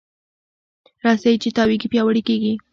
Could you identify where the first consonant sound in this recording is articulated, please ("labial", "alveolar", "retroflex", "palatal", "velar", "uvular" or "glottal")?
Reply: alveolar